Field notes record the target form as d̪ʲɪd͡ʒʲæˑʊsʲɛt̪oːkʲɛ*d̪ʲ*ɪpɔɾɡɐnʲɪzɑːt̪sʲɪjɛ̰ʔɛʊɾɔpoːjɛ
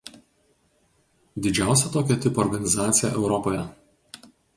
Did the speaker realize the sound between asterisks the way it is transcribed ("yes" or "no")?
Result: no